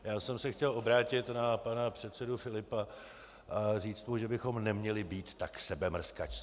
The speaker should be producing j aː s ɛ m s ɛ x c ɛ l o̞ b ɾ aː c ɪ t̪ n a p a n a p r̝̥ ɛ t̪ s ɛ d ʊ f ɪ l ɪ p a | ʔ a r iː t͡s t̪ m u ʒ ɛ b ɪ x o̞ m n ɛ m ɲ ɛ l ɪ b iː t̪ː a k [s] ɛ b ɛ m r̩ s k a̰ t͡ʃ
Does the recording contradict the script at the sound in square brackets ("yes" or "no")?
no